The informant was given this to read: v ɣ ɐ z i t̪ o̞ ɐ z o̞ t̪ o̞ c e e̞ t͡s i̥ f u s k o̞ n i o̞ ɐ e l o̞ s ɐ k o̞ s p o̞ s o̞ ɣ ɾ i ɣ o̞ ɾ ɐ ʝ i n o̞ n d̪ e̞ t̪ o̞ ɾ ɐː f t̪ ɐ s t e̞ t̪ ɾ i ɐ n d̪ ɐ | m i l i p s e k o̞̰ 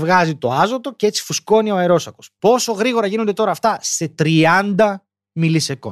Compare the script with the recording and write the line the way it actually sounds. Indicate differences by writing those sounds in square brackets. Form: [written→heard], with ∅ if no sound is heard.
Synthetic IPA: v ɣ ɐ z i t̪ o̞ ɐ z o̞ t̪ o̞ c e e̞ t͡s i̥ f u s k o̞ n i o̞ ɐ e [l→ɾ] o̞ s ɐ k o̞ s p o̞ s o̞ ɣ ɾ i ɣ o̞ ɾ ɐ ʝ i n o̞ n d̪ e̞ t̪ o̞ ɾ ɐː f t̪ ɐ s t e̞ t̪ ɾ i ɐ n d̪ ɐ | m i l i [p→∅] s e k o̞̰